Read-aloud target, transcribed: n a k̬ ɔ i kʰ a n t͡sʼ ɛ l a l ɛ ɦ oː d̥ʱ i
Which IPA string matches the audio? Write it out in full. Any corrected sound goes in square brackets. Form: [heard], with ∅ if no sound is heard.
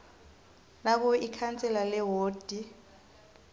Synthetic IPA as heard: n a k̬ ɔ i kʰ a n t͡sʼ ɛ l a l ɛ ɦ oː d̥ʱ i